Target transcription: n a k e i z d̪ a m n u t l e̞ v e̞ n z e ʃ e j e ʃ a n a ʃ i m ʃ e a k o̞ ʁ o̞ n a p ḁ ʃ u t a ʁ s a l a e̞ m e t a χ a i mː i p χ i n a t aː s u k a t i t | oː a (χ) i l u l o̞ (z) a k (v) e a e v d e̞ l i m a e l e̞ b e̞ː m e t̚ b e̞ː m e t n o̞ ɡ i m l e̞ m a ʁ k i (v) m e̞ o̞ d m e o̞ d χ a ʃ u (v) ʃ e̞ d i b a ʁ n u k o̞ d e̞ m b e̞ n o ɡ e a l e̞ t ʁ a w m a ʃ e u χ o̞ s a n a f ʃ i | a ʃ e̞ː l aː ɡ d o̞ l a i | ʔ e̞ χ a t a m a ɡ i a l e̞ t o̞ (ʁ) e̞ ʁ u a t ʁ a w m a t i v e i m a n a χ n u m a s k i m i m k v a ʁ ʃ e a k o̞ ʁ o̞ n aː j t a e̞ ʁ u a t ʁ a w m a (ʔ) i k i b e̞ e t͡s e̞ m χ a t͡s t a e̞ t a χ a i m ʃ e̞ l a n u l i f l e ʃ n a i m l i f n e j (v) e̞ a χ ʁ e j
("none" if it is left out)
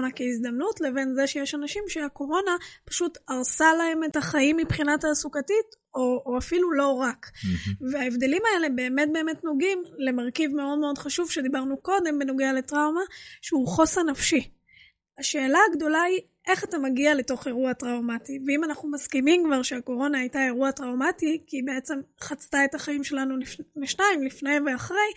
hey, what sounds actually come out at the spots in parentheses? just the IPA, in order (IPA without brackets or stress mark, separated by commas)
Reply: f, ʁ, v, v, v, χ, t, v